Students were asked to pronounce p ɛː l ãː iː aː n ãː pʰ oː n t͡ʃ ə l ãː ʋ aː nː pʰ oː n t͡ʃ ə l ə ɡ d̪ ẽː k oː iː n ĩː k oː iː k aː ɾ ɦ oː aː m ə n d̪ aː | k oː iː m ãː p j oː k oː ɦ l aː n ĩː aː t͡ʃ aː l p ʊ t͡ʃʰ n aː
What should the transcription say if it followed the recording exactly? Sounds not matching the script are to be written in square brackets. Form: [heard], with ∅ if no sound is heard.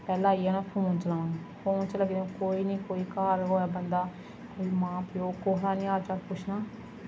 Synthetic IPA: p ɛː l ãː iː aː n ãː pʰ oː n t͡ʃ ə l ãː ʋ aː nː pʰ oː n t͡ʃ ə l ə ɡ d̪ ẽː k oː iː n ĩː k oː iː k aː ɾ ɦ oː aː [b] ə n d̪ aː | k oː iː m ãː p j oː k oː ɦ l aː n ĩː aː t͡ʃ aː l p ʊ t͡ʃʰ n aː